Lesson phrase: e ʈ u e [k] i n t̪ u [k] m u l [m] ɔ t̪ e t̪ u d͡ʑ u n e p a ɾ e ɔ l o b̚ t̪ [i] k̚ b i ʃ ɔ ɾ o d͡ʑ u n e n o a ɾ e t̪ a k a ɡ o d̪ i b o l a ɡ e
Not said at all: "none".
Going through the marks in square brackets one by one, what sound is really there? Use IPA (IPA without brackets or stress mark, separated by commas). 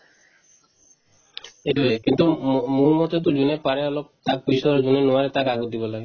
k, none, m, a